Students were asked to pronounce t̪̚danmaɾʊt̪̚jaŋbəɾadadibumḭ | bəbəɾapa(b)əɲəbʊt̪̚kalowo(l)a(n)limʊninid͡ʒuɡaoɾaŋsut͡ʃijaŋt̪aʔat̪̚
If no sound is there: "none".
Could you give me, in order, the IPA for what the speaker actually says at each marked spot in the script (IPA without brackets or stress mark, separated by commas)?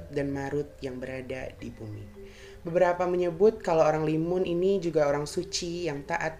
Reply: m, ɾ, ŋ